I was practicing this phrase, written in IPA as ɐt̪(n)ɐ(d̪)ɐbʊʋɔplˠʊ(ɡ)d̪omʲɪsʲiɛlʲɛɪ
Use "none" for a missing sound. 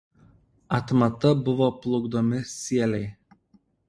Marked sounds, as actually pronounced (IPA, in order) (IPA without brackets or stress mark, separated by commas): m, t̪, ɡ